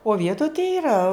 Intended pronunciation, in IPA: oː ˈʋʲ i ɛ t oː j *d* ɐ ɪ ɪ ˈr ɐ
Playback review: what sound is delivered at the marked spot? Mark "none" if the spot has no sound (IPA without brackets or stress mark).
t